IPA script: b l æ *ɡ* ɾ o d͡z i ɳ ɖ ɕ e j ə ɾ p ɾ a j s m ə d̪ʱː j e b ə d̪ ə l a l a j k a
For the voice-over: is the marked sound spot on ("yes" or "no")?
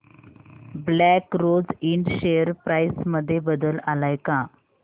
no